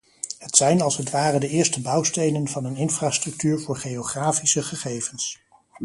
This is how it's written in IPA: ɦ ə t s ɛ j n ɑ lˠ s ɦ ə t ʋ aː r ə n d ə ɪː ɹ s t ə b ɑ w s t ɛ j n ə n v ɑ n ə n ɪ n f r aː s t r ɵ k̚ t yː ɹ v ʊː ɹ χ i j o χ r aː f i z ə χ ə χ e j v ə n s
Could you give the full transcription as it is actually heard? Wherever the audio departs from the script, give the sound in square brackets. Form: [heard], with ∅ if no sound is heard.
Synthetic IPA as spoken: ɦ ə t s ɛ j n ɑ lˠ s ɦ ə t ʋ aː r ə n d ə ɪː ɹ s t ə b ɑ w s t [e] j n ə n v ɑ n ə n ɪ n f r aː s t r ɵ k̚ t yː ɹ v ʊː ɹ χ [e] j o χ r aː f i [s] ə χ ə χ e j v ə n s